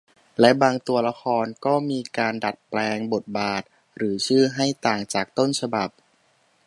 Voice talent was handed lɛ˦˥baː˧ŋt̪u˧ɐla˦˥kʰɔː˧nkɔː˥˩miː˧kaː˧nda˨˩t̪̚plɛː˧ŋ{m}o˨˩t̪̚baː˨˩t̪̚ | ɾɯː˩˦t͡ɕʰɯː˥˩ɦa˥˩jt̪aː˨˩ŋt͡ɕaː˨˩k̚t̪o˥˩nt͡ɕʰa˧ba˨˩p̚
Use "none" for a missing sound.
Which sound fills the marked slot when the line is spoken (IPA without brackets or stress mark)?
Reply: b